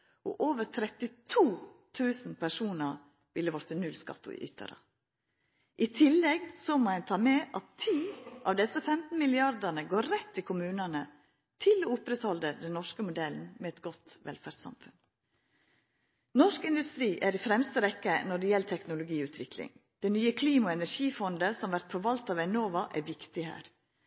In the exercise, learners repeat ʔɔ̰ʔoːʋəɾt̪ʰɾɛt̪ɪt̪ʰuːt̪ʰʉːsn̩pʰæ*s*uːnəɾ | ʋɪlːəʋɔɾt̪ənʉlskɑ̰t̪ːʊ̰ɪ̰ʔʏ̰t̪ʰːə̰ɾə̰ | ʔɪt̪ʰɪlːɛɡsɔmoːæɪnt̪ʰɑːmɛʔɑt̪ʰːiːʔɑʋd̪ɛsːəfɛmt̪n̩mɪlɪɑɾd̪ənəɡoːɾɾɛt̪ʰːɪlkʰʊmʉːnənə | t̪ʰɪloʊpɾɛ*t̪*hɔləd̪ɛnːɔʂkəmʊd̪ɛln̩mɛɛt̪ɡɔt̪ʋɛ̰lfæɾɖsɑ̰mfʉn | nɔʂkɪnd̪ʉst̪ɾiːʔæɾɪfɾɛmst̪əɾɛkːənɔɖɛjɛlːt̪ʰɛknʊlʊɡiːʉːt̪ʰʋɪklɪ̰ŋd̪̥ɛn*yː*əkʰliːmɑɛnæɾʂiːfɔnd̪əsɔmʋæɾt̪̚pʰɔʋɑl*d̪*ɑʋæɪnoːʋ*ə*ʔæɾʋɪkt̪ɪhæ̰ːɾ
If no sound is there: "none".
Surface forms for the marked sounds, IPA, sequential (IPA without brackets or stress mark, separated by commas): ʂ, t̪, yː, t̪, ɑ